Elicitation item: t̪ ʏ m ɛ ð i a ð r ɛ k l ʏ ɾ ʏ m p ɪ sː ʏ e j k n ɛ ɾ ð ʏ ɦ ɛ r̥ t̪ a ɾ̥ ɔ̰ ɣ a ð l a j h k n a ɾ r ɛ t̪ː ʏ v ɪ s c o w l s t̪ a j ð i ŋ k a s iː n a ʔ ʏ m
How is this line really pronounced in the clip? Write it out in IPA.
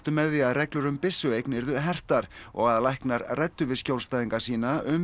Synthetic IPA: t̪ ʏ m ɛ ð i a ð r ɛ k l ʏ ɾ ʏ m p ɪ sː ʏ e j k n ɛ ɾ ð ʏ ɦ ɛ r̥ t̪ a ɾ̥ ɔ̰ ɣ a ð l a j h k n a ɾ r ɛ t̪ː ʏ v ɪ s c o w l s t̪ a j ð i ŋ k a s iː n a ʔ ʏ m